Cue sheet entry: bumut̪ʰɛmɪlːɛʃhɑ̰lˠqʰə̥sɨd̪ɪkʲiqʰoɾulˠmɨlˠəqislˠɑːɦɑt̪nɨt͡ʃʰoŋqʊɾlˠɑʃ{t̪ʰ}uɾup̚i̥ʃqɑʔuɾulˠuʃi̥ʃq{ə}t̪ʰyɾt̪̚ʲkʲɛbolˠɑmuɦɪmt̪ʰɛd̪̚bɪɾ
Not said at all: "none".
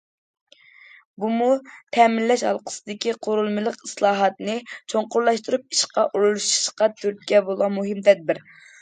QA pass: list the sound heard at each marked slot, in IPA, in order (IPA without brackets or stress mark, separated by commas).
t̪, ɑ